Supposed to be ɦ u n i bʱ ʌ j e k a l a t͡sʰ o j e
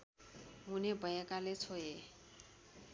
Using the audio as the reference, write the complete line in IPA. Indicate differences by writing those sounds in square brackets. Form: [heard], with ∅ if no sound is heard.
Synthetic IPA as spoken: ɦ u n [e] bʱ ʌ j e k a l [e] t͡sʰ o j e

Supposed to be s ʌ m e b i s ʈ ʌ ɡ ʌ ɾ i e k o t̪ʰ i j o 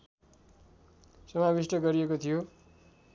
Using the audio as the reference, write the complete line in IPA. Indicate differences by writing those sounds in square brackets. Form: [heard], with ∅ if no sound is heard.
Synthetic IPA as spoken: s ʌ m [a] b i s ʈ ʌ ɡ ʌ ɾ i e k o t̪ʰ i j o

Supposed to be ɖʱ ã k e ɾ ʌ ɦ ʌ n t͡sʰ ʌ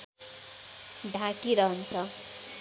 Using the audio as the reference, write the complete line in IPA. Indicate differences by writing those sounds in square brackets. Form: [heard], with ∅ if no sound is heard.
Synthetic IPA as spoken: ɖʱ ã k [i] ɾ ʌ ɦ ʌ n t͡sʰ ʌ

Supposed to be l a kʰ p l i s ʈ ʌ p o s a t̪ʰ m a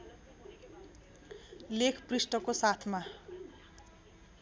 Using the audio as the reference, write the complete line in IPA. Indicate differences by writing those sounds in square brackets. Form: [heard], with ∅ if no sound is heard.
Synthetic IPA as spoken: l [e] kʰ p [r] i s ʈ ʌ [k] o s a t̪ʰ m a

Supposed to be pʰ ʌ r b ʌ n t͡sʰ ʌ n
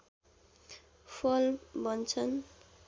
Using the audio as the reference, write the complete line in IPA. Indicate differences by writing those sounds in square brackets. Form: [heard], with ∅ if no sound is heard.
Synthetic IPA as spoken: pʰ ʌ [l] b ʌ n t͡sʰ ʌ n

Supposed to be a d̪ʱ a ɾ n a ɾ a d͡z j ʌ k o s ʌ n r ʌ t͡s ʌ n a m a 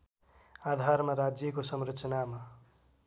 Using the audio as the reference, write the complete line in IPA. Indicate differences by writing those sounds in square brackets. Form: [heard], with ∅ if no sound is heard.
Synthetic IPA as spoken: a d̪ʱ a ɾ [m] a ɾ a d͡z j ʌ k o s ʌ [m] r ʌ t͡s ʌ n a m a

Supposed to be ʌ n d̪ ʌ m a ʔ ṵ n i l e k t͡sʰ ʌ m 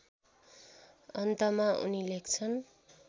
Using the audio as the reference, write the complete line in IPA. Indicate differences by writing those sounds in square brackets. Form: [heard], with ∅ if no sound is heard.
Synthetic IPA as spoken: ʌ n [t̪] ʌ m a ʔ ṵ n i l e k t͡sʰ ʌ [n]

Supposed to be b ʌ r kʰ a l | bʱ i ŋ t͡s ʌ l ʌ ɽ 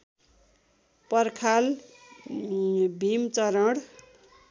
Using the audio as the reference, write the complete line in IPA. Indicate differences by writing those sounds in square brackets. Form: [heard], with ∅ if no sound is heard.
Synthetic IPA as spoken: [p] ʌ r kʰ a l | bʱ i [m] t͡s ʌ [ɾ] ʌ ɽ

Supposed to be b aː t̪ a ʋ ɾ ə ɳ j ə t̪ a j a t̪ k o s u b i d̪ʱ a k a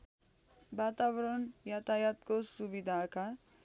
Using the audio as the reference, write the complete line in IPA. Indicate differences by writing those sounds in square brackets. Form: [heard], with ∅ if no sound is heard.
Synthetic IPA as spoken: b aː t̪ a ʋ ɾ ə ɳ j [a] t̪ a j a t̪ k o s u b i d̪ʱ a k a

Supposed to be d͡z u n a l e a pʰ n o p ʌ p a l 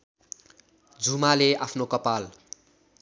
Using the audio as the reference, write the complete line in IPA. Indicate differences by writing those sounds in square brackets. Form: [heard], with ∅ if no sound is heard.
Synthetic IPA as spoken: d͡z u [m] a l e a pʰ n o [k] ʌ p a l

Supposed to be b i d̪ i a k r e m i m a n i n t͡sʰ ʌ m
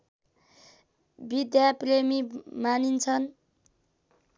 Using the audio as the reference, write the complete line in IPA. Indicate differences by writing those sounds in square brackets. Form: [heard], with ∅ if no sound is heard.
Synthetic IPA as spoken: b i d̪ [j] a [p] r e m i m a n i n t͡sʰ ʌ [n]

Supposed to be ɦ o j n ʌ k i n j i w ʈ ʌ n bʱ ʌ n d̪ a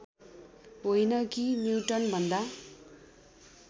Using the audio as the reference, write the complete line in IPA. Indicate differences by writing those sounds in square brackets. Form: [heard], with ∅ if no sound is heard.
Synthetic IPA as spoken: ɦ o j n ʌ k i n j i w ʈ ʌ n bʱ ʌ n d̪ a

